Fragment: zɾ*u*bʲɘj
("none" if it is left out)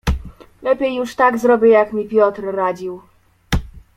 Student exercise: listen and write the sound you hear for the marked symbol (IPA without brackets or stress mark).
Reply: ɔ